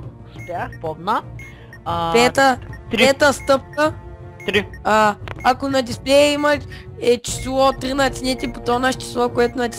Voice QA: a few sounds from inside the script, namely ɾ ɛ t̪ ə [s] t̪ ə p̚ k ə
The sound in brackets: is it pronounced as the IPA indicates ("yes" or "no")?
yes